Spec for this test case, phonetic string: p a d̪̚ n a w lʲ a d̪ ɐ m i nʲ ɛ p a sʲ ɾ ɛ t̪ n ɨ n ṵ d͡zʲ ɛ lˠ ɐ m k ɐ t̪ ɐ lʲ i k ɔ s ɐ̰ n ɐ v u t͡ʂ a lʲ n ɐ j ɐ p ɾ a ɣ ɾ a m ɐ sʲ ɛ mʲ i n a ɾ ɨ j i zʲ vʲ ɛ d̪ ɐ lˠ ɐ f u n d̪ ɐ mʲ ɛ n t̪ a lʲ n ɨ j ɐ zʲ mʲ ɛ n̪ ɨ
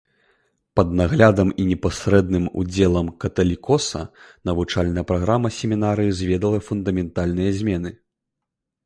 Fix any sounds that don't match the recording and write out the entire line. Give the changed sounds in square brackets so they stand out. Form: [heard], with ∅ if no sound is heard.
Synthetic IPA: p [ɐ] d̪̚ n a [ɣ] lʲ a d̪ ɐ m i nʲ ɛ p a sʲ ɾ ɛ [d̪] n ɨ [m] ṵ d͡zʲ ɛ lˠ ɐ m k ɐ t̪ ɐ lʲ i k ɔ s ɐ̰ n ɐ v u t͡ʂ a lʲ n ɐ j ɐ p ɾ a ɣ ɾ a m ɐ sʲ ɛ mʲ i n a ɾ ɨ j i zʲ vʲ ɛ d̪ ɐ lˠ ɐ f u n d̪ ɐ mʲ ɛ n t̪ a lʲ n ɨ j ɐ zʲ mʲ ɛ n̪ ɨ